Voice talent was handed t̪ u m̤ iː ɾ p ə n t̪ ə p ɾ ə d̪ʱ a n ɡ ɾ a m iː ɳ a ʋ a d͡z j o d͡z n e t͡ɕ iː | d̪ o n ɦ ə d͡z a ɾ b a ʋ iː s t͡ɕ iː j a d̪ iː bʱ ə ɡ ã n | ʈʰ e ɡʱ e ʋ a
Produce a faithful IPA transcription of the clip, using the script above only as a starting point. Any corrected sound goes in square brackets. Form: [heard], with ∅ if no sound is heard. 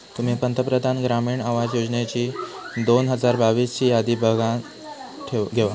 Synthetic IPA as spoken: t̪ u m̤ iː [∅] p ə n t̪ ə p ɾ ə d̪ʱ a n ɡ ɾ a m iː ɳ a ʋ a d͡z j o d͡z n e t͡ɕ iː | d̪ o n ɦ ə d͡z a ɾ b a ʋ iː s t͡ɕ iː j a d̪ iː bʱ ə ɡ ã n | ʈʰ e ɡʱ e ʋ a